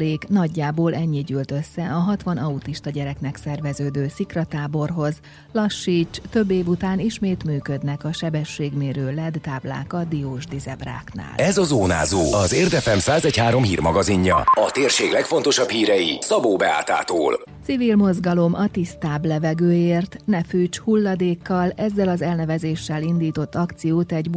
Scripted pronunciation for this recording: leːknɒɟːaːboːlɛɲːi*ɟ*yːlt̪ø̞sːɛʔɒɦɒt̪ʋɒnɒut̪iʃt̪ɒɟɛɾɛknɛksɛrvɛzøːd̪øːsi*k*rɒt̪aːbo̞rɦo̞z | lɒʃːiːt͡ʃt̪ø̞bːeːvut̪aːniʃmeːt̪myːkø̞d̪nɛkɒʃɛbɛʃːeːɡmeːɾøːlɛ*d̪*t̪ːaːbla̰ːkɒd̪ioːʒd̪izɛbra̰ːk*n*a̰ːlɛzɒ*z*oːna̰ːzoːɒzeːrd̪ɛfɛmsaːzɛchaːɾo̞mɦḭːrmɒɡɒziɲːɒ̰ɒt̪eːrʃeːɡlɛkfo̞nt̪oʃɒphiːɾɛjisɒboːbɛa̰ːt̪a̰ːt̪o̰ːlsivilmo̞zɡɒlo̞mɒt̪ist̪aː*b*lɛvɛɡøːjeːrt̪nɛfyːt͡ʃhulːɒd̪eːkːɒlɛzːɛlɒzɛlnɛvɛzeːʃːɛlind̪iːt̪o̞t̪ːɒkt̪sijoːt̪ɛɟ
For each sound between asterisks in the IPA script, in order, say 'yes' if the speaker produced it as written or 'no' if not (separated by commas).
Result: yes, yes, yes, yes, yes, yes